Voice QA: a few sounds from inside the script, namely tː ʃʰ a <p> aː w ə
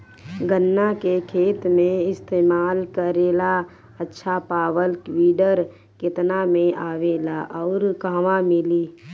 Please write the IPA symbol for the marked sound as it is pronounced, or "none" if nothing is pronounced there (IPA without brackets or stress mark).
p